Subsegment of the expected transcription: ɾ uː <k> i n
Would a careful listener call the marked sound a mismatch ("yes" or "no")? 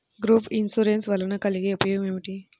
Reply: yes